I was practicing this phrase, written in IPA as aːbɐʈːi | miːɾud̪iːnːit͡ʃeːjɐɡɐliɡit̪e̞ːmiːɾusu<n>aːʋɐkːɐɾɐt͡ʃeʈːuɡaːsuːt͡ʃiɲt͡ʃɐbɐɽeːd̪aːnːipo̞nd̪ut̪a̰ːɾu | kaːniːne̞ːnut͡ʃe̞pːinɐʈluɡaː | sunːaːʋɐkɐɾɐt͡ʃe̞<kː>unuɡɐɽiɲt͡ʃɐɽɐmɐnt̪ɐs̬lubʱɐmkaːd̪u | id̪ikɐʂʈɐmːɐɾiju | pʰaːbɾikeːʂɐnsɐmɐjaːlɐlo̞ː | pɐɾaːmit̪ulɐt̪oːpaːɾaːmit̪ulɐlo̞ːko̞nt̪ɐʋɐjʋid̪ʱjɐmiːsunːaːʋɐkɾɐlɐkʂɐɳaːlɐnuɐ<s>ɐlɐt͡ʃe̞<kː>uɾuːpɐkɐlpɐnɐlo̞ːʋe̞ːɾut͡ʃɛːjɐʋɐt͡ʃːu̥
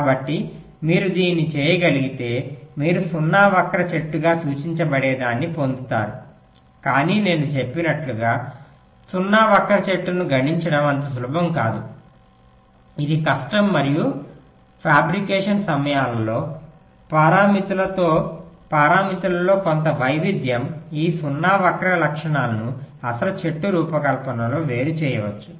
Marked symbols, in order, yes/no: no, no, yes, no

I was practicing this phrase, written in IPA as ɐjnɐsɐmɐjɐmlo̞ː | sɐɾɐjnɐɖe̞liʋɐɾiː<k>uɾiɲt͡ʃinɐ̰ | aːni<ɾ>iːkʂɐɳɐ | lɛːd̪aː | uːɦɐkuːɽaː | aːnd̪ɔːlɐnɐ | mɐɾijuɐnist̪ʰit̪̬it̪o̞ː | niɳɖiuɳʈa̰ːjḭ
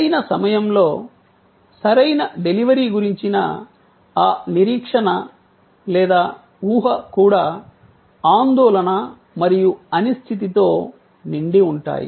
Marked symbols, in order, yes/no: no, yes

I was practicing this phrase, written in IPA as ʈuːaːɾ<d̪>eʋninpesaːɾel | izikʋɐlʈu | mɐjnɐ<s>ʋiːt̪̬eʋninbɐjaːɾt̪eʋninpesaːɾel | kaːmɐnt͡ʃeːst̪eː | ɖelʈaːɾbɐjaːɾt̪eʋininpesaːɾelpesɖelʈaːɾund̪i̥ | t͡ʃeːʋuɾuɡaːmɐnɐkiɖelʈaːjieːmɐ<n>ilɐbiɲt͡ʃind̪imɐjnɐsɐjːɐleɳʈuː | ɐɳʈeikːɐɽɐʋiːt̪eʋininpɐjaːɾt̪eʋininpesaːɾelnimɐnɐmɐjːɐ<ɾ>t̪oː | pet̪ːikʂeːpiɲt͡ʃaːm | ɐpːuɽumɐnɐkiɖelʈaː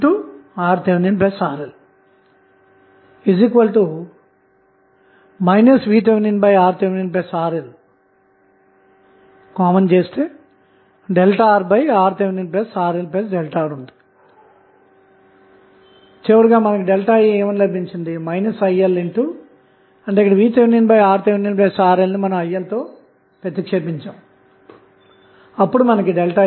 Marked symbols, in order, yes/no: no, yes, yes, no

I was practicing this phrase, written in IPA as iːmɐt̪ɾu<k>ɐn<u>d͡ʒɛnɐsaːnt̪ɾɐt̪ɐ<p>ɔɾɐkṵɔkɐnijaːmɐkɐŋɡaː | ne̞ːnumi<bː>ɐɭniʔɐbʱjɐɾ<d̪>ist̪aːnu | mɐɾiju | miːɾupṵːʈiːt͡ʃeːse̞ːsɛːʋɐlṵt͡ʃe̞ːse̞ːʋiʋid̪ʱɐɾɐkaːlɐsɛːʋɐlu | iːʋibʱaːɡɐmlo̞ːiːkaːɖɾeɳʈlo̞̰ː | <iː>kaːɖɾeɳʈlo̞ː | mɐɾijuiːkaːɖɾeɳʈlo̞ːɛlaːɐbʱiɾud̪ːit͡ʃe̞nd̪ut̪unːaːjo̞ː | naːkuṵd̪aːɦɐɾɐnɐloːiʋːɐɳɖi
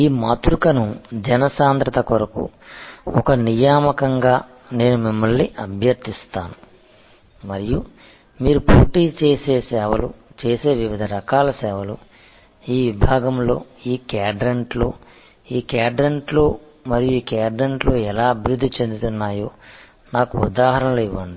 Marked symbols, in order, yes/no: yes, yes, no, no, no, yes

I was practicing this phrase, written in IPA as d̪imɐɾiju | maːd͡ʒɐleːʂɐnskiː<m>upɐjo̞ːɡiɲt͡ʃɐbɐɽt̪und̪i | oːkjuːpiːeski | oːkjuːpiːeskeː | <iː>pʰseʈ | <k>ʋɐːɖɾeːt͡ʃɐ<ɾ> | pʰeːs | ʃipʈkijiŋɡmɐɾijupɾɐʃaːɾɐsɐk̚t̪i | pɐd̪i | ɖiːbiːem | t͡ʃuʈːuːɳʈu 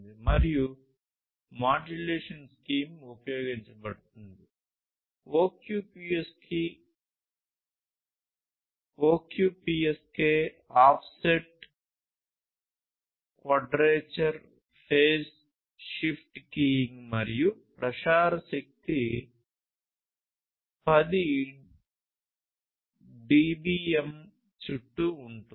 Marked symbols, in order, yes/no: yes, no, yes, yes

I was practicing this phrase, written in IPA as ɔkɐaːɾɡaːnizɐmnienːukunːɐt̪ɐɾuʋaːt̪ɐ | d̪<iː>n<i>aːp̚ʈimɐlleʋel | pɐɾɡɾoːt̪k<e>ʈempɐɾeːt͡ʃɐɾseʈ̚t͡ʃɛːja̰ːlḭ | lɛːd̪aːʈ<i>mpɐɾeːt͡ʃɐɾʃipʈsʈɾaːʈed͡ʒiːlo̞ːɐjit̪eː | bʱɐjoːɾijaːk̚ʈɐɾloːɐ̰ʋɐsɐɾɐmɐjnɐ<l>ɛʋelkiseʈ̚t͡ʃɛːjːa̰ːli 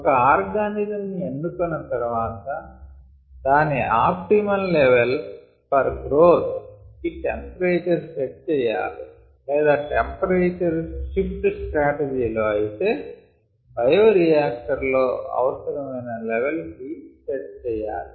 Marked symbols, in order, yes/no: no, yes, no, no, yes

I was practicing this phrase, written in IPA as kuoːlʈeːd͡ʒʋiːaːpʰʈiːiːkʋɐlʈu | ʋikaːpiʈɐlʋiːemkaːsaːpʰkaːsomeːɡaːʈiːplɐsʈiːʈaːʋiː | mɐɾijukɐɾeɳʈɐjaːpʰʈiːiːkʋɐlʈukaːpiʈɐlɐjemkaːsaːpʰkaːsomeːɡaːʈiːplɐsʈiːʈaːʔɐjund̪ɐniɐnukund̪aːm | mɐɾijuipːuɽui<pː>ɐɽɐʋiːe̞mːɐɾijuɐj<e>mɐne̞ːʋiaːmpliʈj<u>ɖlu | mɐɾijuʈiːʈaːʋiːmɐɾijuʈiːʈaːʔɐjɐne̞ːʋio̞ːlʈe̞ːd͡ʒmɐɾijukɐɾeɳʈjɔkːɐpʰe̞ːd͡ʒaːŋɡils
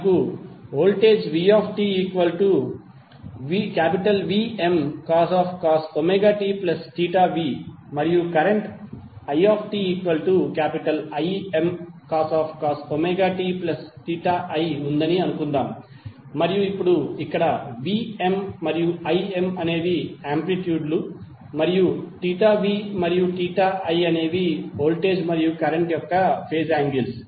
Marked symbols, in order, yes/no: no, yes, no

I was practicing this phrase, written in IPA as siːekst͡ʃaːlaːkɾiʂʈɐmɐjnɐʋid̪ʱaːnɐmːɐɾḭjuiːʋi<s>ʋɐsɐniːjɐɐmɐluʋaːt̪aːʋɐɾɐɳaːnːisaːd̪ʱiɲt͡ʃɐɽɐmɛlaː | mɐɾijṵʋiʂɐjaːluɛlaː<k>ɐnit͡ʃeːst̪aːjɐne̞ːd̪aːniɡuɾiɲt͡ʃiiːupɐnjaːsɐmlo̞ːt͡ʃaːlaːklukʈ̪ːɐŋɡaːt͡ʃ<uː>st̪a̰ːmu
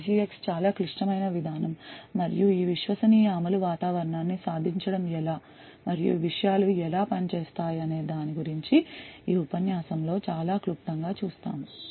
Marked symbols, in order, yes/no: no, no, yes

